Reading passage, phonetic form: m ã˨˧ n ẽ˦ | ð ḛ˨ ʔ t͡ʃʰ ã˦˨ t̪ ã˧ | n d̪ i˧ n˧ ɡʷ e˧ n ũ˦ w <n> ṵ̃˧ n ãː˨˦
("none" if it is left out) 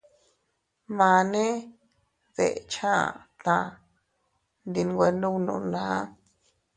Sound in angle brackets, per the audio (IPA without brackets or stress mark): n